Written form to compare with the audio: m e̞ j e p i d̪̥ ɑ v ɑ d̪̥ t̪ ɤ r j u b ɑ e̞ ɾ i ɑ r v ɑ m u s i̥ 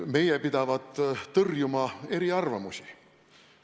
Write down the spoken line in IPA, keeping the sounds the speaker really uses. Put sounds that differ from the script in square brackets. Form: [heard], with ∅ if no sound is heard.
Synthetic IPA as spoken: m e̞ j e p i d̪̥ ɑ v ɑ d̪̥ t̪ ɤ r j u [m] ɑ e̞ ɾ i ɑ r v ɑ m u s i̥